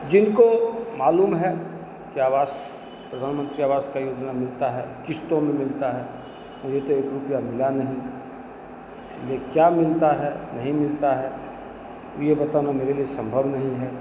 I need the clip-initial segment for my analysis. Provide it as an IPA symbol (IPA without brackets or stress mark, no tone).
d͡ʒ